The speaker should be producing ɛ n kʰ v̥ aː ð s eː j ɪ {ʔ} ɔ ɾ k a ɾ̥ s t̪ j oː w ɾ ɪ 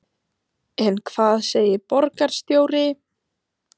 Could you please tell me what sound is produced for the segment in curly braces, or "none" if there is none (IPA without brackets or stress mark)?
p